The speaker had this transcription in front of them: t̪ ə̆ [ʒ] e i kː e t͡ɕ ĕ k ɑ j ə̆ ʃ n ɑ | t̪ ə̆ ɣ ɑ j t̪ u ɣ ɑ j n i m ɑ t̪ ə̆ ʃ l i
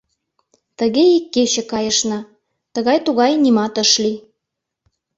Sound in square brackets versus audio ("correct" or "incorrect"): incorrect